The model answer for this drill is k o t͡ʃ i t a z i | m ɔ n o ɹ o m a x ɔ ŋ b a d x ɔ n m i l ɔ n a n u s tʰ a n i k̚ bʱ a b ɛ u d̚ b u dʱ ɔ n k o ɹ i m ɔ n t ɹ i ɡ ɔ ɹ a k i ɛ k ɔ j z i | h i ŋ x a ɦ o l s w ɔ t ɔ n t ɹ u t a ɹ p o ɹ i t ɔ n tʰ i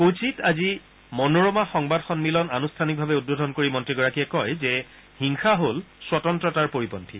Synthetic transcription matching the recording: k o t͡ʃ i t a z i | m ɔ n o ɹ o m a x ɔ ŋ b a d x ɔ n m i l ɔ n a n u s tʰ a n i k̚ bʱ a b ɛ u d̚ b o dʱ ɔ n k o ɹ i m ɔ n t ɹ i ɡ ɔ ɹ a k i ɛ k ɔ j z ɛ | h i ŋ x a ɦ o l s w ɔ t ɔ n t ɹ ɔ t a ɹ p o ɹ i p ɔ n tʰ i

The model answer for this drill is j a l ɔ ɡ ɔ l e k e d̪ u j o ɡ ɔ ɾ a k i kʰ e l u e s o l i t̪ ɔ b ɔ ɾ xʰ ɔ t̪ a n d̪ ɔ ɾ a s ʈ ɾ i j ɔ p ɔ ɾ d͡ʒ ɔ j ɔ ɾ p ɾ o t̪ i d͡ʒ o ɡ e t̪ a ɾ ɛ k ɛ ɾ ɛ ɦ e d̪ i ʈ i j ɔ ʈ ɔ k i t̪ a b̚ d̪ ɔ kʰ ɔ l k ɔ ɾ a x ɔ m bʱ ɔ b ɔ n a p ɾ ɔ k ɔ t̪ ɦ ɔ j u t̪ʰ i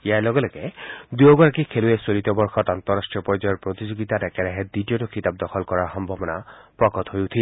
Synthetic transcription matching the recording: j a l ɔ ɡ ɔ l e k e d̪ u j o ɡ ɔ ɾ a k i kʰ e l u e s o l i t̪ ɔ b ɔ ɾ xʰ ɔ t̪ a n t̪ ɔ ɾ a s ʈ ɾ i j ɔ p ɔ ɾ d͡ʒ ɔ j ɔ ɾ p ɾ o t̪ i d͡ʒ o ɡ i t̪ a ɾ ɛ k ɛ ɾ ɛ ɦ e d̪ i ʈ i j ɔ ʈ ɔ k i t̪ a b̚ d̪ ɔ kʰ ɔ l k ɔ ɾ a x ɔ m bʱ ɔ b ɔ n a p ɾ ɔ k ɔ t̪ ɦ o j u t̪ʰ i

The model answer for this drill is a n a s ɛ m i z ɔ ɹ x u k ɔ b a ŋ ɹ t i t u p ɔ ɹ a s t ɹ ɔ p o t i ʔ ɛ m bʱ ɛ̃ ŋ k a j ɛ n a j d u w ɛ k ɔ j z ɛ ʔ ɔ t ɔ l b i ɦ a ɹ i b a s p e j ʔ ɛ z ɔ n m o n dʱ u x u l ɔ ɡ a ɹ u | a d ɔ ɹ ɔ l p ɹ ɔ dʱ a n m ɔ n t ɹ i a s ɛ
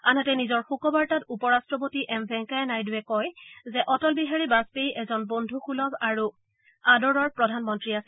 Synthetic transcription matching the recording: a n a t ɛ n i z ɔ ɹ x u k ɔ b a ɹ t a t u p ɔ ɹ a s t ɹ ɔ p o t i ʔ ɛ m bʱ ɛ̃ ŋ k a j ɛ n a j d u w ɛ k ɔ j z ɛ ʔ ɔ t ɔ l b i ɦ a ɹ i b a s p e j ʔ ɛ z ɔ n b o n dʱ u x u l ɔ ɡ a ɹ u | a d ɔ ɹ ɔ ɹ p ɹ ɔ dʱ a n m ɔ n t ɹ i a s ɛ

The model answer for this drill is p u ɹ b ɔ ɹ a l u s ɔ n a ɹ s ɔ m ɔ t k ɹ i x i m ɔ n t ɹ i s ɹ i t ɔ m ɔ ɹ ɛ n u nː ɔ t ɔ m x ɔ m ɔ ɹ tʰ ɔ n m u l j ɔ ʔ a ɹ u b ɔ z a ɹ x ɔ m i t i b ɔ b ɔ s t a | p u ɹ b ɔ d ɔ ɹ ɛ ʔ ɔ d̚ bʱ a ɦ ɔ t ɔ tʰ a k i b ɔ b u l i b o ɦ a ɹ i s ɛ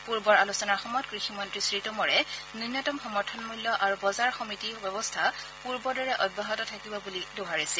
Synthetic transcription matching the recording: p u ɹ b ɔ ɹ a l u s ɔ n a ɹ x ɔ m ɔ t k ɹ i x i m ɔ n t ɹ i s ɹ i t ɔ m ɔ ɹ ɛ n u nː ɔ t ɔ m x ɔ m ɔ ɹ tʰ ɔ n m u l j ɔ ʔ a ɹ u b ɔ z a ɹ x ɔ m i t i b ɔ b ɔ s tʰ a | p u ɹ b ɔ d ɔ ɹ ɛ ʔ ɔ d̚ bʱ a ɦ ɔ t ɔ tʰ a k i b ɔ b u l i d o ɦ a ɹ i s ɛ

